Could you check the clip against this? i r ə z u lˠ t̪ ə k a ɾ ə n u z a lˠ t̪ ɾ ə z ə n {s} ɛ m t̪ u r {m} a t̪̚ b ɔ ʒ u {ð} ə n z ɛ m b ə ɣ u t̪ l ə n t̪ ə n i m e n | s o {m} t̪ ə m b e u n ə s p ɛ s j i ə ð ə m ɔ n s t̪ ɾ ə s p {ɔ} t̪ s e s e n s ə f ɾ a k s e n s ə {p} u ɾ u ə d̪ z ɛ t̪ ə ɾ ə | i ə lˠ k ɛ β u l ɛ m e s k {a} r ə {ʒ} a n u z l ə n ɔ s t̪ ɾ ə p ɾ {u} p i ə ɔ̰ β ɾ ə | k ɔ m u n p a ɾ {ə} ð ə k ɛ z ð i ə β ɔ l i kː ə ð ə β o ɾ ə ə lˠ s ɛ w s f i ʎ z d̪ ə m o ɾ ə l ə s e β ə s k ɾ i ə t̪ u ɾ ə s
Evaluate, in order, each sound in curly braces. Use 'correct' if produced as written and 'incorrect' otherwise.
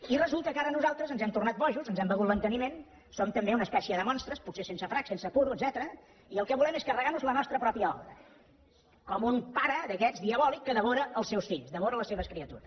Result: incorrect, incorrect, incorrect, correct, incorrect, correct, incorrect, incorrect, incorrect, correct

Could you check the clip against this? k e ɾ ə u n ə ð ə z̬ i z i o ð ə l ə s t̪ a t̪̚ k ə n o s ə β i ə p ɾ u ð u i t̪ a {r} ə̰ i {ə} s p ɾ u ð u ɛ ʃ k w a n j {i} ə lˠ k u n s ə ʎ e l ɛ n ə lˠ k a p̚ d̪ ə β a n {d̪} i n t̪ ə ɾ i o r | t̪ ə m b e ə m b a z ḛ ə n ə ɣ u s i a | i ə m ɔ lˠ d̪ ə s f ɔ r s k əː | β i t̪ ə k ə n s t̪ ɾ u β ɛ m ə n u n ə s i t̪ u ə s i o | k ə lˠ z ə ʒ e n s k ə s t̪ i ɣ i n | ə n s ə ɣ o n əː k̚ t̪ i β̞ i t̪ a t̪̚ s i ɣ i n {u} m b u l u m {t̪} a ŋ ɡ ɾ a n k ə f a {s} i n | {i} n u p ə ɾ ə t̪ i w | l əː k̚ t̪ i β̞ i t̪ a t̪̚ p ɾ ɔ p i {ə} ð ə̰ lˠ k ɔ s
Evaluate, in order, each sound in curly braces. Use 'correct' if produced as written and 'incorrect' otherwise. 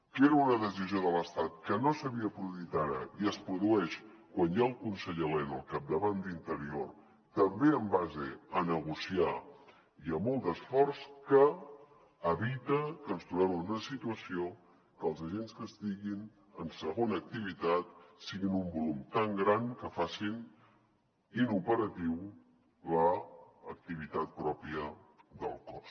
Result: incorrect, correct, incorrect, correct, correct, correct, correct, correct, correct

